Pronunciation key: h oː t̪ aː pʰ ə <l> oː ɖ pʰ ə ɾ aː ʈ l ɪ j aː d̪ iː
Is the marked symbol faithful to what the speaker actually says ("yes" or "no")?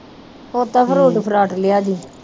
no